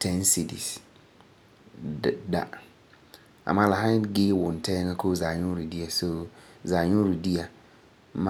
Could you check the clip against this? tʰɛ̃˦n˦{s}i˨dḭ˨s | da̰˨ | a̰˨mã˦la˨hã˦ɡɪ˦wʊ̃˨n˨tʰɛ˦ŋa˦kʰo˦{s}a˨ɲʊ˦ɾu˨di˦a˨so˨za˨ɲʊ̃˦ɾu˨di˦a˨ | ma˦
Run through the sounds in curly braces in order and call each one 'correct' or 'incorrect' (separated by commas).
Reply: correct, incorrect